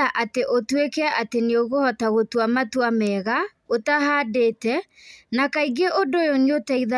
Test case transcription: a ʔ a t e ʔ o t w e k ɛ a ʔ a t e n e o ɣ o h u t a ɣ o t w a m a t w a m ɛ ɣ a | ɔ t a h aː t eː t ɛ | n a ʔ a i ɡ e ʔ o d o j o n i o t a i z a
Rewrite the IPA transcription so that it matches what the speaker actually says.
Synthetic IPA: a ʔ a t e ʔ o t w e k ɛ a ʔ a t e n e o ɣ o h ɔ t a ɣ o t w a m a t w a m ɛ ɣ a | o t a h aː d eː t ɛ | n a k a i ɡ e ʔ o d o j o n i o t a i ð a